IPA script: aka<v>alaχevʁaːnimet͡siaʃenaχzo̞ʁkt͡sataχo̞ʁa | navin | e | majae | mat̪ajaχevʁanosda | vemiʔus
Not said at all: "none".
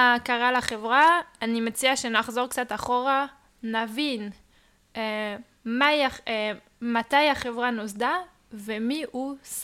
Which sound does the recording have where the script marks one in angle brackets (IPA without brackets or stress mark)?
ʁ